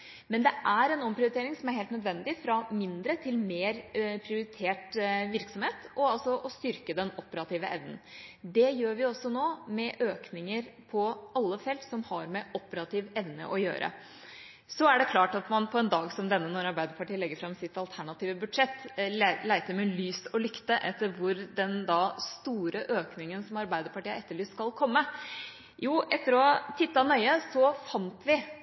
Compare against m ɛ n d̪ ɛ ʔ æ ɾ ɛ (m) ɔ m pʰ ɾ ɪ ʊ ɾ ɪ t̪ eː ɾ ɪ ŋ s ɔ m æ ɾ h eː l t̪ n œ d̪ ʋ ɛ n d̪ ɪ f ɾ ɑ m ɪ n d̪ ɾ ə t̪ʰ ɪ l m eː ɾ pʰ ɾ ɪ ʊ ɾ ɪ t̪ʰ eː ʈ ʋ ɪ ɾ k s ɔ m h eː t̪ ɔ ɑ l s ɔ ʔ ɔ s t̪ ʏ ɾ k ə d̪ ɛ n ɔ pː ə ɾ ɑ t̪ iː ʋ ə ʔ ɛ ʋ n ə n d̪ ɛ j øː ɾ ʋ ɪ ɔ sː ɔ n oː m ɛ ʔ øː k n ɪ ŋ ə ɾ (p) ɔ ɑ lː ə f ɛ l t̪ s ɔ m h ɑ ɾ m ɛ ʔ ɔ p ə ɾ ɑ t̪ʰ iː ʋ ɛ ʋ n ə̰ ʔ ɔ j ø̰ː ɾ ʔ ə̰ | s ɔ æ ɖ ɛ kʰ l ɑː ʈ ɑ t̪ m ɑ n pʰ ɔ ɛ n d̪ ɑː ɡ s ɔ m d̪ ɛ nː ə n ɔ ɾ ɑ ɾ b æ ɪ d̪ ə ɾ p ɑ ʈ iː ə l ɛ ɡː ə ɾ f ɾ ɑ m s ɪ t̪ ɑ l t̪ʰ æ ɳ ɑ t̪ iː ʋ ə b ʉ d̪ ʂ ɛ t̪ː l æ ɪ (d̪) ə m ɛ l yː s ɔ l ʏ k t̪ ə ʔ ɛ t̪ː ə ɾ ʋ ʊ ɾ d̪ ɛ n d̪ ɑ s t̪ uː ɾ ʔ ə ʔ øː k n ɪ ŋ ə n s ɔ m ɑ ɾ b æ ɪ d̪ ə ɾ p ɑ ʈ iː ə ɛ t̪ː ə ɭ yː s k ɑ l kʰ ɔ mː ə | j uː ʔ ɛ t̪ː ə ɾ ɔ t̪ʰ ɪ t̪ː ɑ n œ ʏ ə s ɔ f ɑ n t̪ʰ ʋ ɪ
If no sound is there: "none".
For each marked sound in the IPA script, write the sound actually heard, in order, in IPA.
n, pʰ, t̪

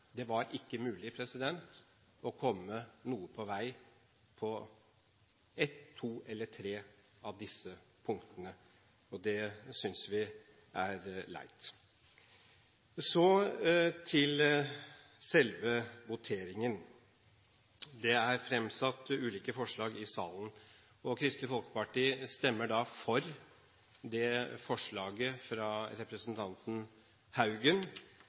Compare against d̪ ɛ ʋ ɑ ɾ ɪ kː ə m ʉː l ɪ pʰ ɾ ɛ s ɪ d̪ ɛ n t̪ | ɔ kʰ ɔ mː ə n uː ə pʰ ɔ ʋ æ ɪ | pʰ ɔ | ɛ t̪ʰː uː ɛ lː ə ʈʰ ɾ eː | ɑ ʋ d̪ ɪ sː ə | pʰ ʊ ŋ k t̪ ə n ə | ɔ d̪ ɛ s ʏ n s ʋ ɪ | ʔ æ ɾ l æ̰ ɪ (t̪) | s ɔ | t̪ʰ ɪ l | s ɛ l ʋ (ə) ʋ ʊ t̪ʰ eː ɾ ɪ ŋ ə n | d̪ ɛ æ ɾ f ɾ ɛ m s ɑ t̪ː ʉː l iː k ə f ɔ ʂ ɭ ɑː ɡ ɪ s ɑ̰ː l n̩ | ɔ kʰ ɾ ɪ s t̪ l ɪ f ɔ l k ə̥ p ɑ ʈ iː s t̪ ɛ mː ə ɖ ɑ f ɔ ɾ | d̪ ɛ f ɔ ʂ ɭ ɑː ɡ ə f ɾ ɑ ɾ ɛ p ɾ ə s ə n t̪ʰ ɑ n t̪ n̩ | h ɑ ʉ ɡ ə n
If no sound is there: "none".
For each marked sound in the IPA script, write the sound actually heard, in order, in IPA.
t̪, ə

